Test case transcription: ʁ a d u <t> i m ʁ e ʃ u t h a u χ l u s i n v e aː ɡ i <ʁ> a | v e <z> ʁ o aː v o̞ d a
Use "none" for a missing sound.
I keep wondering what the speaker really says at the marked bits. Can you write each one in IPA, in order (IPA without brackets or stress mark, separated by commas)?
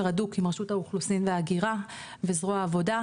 k, ʁ, z